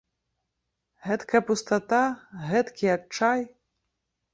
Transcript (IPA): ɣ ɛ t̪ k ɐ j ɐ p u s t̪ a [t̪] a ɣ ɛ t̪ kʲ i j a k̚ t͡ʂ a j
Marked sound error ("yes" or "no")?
no